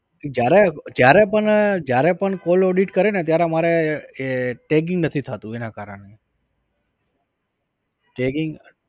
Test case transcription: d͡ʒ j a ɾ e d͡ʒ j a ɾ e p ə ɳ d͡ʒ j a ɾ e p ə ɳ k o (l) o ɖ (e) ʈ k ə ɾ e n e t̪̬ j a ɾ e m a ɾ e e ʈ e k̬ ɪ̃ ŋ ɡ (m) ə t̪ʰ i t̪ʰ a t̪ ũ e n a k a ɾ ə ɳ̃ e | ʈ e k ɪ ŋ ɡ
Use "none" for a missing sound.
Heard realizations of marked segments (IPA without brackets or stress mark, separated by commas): l, i, n